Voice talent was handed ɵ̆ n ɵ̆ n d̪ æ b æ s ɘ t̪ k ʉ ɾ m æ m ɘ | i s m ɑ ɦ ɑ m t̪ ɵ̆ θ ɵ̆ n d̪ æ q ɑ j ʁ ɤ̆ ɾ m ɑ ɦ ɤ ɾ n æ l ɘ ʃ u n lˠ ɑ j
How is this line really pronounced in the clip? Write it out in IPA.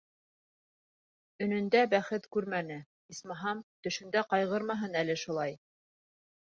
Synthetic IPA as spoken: ɵ̆ n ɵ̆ n d̪ æ b æ χ ɘ t̪ k ʉ ɾ m æ n ɘ | i s m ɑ ɦ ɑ m t̪ ɵ̆ ʃ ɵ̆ n d̪ æ q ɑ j ʁ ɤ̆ ɾ m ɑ ɦ ɤ n æ l ɘ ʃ u lˠ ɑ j